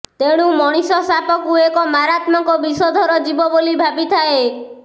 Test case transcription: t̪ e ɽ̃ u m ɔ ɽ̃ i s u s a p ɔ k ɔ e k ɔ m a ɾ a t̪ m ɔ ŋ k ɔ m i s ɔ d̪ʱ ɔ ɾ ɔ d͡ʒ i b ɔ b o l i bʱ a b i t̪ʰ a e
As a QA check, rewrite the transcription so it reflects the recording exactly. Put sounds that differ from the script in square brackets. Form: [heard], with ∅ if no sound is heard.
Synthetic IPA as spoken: t̪ e ɽ̃ u m ɔ ɽ̃ i s [ɔ] s a p ɔ k [u] e k ɔ m a ɾ a t̪ m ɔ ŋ k ɔ [b] i s ɔ d̪ʱ ɔ ɾ ɔ d͡ʒ i b ɔ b o l i bʱ a b i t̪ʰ a e